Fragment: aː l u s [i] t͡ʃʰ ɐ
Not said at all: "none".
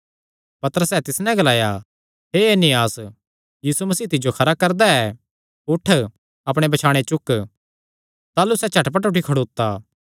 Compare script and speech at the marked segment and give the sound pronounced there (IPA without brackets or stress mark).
ɛ